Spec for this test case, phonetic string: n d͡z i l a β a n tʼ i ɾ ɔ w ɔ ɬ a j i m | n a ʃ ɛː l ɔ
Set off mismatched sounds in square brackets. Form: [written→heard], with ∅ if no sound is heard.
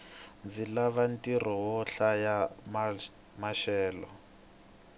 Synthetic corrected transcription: n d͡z i l a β a n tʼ i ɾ ɔ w ɔ ɬ a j [i→a] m | [n→m] a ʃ ɛː l ɔ